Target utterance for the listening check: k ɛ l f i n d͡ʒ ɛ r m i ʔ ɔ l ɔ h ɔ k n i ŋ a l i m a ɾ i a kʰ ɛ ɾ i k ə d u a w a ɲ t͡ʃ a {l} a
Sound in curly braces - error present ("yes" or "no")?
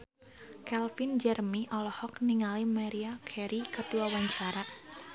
yes